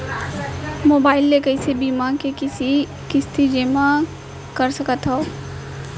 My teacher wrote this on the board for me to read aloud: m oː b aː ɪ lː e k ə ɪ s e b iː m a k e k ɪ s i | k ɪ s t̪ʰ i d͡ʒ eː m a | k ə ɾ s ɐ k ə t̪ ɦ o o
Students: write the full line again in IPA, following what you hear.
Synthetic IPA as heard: m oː b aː ɪ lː e k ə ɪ s e b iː m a k e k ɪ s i | k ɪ s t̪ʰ i d͡ʒ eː m a | k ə ɾ s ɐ k ə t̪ ɦ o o